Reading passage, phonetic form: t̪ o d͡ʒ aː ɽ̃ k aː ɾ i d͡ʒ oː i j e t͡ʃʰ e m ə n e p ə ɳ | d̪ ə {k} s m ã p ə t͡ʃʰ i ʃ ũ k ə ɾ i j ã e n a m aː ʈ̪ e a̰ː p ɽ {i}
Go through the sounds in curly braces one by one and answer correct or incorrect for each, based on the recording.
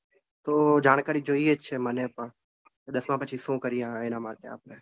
incorrect, incorrect

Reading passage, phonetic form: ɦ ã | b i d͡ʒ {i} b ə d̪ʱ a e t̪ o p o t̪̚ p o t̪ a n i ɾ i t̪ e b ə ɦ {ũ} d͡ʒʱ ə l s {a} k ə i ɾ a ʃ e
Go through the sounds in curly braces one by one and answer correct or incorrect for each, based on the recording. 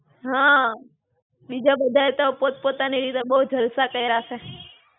incorrect, incorrect, correct

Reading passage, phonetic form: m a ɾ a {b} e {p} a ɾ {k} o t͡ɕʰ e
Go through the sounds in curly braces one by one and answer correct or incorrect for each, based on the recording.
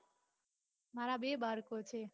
correct, incorrect, correct

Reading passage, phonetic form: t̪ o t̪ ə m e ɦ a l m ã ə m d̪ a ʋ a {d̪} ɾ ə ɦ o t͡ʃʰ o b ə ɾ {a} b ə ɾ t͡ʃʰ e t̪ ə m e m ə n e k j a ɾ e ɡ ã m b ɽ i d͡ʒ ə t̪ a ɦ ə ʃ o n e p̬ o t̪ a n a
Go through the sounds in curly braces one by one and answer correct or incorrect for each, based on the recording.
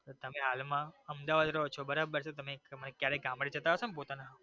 correct, correct

